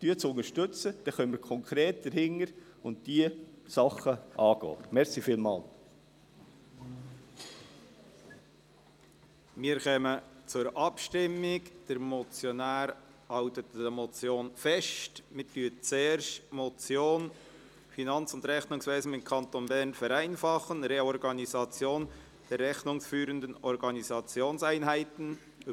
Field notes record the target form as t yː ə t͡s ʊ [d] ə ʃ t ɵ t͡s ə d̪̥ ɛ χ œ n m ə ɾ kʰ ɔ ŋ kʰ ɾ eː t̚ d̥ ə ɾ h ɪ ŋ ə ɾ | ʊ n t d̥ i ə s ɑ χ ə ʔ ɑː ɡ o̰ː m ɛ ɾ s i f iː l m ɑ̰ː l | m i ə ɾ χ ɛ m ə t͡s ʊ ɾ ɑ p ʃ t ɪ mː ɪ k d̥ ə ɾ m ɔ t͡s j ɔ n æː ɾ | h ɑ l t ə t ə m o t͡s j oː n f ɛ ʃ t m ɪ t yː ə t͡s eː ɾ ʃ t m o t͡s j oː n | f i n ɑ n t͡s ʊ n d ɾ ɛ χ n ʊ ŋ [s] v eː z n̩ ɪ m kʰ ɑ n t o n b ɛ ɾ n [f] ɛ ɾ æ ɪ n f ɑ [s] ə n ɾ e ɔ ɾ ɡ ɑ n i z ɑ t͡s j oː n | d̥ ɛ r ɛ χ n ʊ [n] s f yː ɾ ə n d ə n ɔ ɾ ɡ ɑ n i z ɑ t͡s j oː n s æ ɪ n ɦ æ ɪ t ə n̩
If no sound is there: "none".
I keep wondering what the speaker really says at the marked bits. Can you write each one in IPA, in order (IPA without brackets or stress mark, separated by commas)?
n, s, f, χ, ŋ